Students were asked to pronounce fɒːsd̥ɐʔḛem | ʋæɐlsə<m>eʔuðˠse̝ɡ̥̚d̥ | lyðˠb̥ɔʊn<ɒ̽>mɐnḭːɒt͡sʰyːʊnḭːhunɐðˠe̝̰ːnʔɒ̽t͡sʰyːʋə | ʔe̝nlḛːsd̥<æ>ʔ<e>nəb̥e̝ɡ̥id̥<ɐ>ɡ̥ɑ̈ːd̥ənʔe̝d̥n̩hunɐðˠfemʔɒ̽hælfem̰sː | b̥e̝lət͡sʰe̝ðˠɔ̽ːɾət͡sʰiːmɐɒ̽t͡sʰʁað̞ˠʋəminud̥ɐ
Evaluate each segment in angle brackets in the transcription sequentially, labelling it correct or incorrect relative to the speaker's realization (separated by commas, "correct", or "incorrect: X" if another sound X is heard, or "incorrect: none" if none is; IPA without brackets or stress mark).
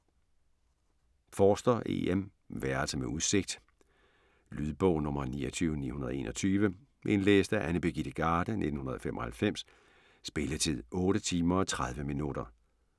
correct, incorrect: ɔ̽, correct, incorrect: æ, incorrect: ə